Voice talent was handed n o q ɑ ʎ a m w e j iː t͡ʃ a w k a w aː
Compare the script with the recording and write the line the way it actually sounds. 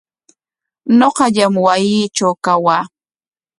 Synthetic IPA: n o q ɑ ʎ a m w a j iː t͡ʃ a w k a w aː